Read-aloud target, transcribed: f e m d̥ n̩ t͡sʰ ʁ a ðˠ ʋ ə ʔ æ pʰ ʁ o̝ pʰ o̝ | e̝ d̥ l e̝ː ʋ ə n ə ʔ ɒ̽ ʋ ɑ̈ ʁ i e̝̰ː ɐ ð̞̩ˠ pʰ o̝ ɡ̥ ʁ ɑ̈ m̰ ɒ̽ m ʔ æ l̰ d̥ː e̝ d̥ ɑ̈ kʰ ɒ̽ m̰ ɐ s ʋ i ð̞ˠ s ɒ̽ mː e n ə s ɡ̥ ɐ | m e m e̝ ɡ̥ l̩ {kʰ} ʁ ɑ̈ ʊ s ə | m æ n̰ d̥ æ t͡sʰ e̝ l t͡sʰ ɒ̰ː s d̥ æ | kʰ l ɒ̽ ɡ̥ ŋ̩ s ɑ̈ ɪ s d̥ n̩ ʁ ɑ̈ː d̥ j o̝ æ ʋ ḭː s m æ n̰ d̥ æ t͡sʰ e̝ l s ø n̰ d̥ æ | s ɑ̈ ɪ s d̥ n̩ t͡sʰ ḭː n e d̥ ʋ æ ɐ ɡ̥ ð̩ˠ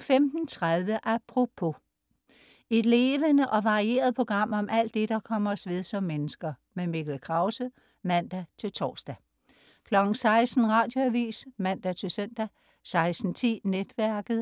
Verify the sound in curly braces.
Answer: correct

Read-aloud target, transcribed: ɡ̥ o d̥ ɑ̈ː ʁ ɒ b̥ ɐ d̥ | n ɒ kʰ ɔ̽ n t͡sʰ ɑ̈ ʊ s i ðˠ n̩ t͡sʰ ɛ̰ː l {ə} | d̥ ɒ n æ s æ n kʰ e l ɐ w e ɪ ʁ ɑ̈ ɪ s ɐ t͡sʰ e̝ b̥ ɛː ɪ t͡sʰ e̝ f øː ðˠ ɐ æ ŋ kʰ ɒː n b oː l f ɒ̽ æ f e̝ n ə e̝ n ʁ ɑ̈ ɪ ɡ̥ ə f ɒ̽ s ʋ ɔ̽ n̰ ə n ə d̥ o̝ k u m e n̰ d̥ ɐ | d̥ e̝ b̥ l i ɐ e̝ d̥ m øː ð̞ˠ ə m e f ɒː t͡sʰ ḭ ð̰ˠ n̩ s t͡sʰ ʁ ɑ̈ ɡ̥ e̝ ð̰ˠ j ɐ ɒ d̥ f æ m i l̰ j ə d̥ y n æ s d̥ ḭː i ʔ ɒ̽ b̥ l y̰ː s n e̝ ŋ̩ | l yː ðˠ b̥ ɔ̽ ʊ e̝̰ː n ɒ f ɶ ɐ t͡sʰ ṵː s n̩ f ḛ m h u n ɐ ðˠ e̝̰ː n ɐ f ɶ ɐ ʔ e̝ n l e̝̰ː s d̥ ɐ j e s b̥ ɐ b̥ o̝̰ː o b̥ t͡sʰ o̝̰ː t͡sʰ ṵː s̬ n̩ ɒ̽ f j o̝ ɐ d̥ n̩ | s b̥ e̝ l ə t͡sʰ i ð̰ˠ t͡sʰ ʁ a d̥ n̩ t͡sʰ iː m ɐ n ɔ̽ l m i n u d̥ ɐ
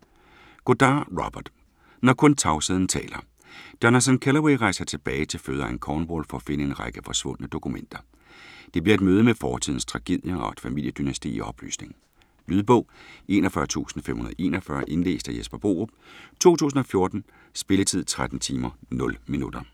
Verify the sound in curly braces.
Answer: incorrect: ɐ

